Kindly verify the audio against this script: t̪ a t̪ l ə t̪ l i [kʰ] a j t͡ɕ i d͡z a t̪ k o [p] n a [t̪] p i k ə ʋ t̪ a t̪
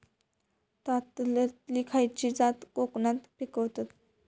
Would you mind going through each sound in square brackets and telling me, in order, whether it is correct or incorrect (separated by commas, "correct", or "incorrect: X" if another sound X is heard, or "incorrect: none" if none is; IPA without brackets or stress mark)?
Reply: correct, incorrect: k, correct